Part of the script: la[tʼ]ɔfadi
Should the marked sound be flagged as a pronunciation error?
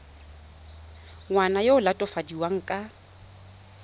no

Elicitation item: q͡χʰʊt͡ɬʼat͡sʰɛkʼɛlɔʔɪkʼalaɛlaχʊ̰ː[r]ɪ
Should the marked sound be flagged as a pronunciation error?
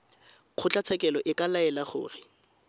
no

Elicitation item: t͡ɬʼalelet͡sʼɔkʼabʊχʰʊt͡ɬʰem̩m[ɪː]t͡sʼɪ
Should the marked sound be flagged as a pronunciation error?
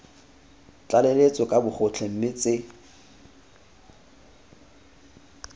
yes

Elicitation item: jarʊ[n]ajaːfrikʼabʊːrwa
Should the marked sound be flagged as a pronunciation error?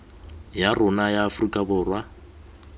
no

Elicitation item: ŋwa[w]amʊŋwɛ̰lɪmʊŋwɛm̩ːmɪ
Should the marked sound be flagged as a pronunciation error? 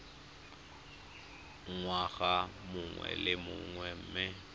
yes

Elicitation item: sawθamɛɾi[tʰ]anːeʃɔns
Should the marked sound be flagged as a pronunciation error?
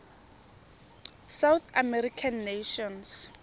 yes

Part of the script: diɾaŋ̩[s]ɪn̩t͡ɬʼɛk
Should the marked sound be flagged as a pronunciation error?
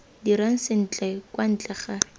no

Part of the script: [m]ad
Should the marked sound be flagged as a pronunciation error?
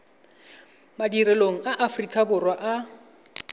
no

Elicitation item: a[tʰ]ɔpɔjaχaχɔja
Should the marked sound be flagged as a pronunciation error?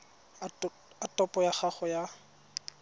yes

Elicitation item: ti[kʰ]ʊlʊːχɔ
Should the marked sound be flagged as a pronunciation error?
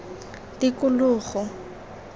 yes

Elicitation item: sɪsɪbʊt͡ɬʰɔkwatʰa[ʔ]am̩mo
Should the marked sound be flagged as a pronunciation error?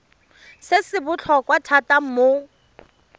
yes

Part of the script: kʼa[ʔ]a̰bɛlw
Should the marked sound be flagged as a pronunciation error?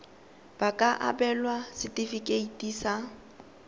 no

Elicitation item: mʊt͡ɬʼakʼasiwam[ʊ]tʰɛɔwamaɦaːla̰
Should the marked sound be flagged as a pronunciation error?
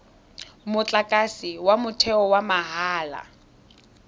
no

